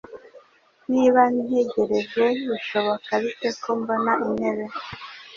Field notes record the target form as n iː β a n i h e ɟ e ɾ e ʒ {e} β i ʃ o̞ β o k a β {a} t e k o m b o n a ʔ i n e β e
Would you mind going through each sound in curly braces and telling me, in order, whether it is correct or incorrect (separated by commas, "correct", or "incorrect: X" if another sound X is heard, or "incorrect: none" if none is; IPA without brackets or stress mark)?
correct, incorrect: i